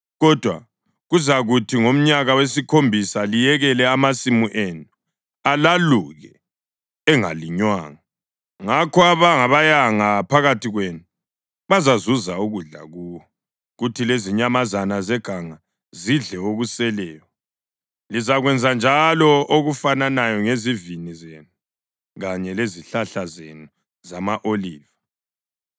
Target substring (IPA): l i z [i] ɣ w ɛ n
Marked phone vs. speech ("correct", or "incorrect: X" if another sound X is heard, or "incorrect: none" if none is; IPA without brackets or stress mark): incorrect: a